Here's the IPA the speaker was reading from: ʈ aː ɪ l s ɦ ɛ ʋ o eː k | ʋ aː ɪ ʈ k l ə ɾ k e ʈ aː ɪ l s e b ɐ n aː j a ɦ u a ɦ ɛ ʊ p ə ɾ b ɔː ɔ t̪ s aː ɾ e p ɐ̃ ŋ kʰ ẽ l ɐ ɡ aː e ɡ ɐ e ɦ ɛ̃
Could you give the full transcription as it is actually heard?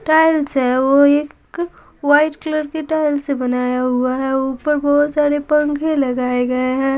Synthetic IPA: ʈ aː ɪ l s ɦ ɛ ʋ o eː k | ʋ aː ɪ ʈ k l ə ɾ k e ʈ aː ɪ l s e b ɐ n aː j a ɦ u a ɦ ɛ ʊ p ə ɾ b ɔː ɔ t̪ s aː ɾ e p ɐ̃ ŋ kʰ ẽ l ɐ ɡ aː e ɡ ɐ e ɦ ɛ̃